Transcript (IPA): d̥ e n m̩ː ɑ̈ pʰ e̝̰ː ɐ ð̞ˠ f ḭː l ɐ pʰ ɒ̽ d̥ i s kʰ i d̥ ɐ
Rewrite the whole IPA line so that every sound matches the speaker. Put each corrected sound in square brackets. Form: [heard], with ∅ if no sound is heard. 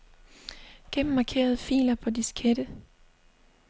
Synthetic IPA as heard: [ɡ̥] e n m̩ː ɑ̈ [kʰ] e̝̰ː ɐ ð̞ˠ f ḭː l ɐ pʰ ɒ̽ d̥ i s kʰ [e] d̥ [ə]